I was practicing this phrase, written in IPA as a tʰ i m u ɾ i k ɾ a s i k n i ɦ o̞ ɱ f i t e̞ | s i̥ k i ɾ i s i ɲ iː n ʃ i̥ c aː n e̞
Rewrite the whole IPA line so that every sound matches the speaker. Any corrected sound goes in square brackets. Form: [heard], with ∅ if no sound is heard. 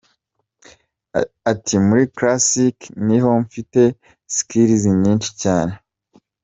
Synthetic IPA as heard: a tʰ i m u ɾ i k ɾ a s i k n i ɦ o̞ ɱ f i t e̞ | s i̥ k i ɾ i [z] i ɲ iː n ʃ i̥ c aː n e̞

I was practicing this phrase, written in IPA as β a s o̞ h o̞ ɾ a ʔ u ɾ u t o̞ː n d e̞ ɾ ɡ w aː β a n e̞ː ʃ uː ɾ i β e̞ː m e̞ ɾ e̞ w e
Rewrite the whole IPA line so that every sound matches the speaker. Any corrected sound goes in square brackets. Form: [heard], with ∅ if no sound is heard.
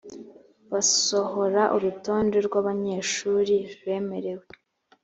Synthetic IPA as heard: β a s o̞ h o̞ ɾ a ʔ u ɾ u t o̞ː n d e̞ ɾ ɡ w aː β a [ɲ] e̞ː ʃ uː ɾ i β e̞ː m e̞ ɾ e̞ w e

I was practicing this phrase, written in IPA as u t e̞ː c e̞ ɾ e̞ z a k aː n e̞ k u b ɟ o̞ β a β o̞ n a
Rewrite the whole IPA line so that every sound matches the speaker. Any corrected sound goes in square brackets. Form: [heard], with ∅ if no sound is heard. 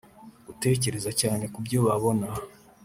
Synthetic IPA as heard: u t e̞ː c e̞ ɾ e̞ z a [c] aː n e̞ k u b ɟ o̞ β a β o̞ n a

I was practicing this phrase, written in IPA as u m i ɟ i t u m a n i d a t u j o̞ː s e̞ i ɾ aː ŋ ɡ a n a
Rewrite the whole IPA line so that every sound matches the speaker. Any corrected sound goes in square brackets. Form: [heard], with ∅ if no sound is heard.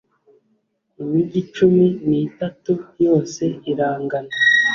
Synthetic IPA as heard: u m i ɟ i [t͡ʃ] u m [i] n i [t] a t u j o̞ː s e̞ i ɾ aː ŋ ɡ a n a

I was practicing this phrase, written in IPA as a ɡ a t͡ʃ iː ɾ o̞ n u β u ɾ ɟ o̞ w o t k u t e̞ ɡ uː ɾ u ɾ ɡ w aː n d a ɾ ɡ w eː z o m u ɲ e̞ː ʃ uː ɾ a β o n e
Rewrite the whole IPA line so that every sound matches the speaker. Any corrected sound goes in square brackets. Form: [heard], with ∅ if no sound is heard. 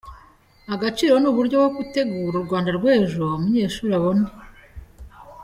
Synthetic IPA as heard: a ɡ a t͡ʃ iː ɾ o̞ n u β u ɾ ɟ o̞ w o [∅] k u t e̞ ɡ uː ɾ u ɾ ɡ w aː n d a ɾ ɡ w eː [ʒ] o m u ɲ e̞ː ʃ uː ɾ a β o n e

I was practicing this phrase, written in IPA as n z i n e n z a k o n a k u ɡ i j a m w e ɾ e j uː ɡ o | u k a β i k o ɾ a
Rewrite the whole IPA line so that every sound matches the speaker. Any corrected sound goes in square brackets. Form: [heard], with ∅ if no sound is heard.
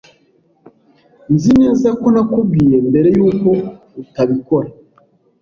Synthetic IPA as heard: n z i n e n z a k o n a k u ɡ i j [e] m [b] e ɾ e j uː [k] o | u [t] a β i k o ɾ a

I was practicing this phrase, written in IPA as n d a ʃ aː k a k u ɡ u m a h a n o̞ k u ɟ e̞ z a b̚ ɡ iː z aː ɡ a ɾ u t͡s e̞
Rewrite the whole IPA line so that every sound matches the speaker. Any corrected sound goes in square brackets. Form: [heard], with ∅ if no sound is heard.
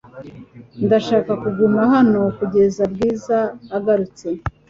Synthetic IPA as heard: n d a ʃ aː k a k u ɡ u m a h a n o̞ k u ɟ e̞ z a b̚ ɡ iː z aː ɡ a ɾ u t͡s e̞

